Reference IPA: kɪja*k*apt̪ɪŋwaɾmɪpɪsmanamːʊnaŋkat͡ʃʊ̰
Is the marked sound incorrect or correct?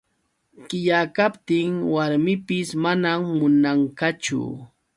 correct